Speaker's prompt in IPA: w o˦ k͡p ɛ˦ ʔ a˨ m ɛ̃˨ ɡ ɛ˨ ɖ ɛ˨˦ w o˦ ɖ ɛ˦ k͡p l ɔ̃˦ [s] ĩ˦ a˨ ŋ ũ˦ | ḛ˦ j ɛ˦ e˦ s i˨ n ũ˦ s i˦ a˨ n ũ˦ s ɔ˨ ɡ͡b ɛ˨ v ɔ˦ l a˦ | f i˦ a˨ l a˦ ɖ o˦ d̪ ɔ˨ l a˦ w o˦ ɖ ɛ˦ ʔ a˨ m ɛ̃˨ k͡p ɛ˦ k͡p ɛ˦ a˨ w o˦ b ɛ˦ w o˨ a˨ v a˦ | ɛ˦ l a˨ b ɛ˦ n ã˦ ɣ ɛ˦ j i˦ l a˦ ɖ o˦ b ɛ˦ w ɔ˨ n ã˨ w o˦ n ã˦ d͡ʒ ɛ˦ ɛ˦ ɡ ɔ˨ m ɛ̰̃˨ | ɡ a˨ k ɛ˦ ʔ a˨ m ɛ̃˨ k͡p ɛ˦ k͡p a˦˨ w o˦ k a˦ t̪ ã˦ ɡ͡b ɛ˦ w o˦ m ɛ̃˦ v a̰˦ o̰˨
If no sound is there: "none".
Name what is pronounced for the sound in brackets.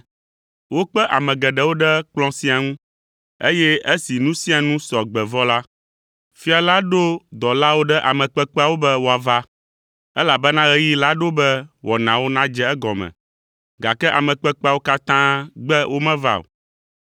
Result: s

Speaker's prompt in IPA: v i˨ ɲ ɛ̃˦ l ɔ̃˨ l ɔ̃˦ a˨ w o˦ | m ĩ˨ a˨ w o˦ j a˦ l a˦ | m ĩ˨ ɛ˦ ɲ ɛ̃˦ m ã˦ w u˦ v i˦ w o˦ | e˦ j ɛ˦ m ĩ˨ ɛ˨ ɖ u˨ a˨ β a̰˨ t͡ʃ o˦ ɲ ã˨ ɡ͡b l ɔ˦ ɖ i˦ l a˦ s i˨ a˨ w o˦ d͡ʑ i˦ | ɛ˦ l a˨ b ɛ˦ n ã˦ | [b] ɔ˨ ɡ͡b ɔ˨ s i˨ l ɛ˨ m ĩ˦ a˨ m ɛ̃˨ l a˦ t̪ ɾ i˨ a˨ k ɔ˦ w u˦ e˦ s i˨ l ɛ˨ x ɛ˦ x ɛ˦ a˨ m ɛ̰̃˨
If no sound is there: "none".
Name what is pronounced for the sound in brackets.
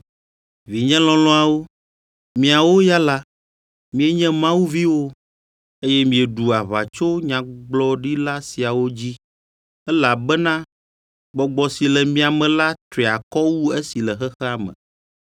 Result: ɡ͡b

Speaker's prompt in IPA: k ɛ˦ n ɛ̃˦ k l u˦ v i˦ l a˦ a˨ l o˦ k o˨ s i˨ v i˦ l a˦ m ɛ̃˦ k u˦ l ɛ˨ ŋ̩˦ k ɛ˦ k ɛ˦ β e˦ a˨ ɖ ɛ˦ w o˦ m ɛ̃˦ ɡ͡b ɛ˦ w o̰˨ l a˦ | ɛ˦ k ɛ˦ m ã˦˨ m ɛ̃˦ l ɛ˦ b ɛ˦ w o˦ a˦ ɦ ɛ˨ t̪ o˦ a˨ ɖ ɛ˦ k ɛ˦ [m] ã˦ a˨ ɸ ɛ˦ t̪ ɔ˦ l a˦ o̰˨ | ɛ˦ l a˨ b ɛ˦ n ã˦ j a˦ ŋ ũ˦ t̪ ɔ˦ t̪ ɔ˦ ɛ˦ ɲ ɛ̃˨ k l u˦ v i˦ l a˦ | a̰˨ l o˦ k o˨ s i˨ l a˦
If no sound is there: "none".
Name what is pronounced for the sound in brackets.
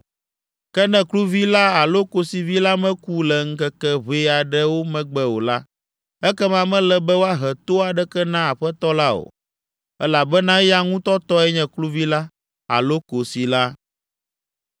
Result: n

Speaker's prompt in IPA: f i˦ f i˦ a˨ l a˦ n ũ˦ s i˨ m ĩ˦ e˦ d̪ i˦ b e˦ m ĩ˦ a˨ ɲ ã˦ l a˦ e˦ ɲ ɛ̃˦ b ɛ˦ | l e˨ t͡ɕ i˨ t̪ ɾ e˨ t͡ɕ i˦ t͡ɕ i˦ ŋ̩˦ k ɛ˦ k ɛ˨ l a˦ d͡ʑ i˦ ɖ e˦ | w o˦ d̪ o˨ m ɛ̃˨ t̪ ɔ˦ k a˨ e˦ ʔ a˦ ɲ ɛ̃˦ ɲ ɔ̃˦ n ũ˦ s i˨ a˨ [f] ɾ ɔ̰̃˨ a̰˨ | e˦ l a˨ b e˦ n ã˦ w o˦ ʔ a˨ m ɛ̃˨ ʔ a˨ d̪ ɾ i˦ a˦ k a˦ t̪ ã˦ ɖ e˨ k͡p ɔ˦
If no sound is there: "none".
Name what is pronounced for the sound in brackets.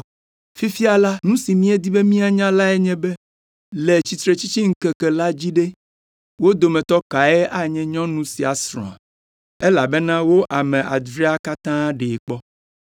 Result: s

